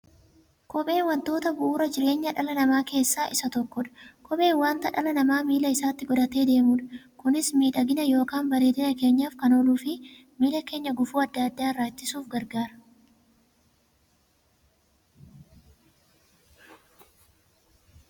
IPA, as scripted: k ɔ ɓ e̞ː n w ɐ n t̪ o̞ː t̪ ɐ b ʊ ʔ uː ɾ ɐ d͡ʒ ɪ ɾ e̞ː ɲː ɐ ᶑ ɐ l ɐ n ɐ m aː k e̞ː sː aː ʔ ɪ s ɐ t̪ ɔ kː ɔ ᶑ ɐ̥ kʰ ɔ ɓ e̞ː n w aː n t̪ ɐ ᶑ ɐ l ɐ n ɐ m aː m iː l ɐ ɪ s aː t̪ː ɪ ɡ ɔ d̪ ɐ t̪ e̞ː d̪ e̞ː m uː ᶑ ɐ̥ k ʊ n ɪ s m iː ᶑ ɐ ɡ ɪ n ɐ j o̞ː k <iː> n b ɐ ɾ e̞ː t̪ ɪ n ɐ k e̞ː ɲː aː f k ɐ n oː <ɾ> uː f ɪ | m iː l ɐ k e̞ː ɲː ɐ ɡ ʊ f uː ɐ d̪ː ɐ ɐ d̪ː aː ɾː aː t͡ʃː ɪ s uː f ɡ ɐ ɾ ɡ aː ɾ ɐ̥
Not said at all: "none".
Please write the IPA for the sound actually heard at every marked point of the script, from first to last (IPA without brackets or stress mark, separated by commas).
aː, l